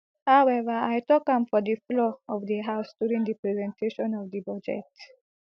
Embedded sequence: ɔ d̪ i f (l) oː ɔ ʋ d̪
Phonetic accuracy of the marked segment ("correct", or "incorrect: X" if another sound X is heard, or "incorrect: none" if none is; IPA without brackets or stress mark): correct